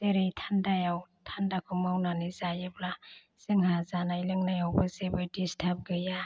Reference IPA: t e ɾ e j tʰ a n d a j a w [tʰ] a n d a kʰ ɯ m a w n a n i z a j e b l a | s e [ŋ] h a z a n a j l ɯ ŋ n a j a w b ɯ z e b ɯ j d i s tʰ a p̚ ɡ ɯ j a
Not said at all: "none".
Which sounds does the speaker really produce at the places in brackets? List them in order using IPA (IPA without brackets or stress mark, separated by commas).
tʰ, ŋ